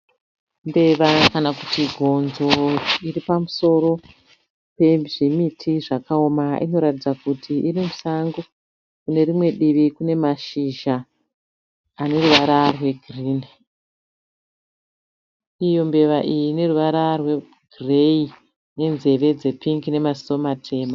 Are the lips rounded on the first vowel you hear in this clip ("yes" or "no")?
no